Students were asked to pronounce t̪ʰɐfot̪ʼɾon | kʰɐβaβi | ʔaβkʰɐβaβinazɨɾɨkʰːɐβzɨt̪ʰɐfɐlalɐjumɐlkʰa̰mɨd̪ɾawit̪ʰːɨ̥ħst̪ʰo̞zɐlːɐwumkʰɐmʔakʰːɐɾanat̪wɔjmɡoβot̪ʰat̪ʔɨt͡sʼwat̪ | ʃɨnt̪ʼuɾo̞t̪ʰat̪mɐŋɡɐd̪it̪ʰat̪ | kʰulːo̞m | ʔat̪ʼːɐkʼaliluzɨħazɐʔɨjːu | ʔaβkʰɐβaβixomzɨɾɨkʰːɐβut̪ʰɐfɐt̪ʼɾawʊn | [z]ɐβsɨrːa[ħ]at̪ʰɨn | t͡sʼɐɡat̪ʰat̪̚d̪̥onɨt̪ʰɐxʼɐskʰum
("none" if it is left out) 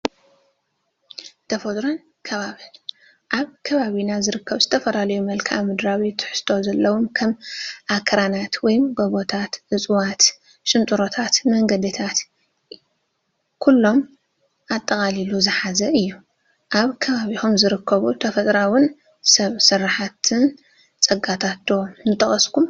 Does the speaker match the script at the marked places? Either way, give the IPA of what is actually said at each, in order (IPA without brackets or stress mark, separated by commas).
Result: s, ħ